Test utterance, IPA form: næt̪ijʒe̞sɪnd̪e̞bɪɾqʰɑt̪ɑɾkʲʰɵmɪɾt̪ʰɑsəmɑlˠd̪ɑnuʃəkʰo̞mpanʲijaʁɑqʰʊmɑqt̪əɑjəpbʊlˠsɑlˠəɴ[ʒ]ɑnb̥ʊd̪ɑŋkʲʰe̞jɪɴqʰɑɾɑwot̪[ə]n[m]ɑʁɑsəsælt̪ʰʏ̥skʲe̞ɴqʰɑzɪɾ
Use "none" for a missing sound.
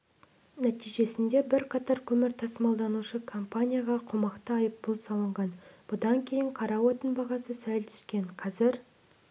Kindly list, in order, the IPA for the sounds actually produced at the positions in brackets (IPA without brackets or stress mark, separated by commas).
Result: ʁ, ə, b